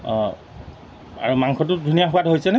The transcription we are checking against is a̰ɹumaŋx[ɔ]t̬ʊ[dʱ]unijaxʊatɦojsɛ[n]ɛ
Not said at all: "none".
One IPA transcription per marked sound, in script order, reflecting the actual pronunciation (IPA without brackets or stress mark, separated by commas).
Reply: ɔ, dʱ, n